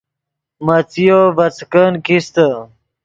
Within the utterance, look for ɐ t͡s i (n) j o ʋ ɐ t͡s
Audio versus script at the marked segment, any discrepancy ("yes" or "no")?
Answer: yes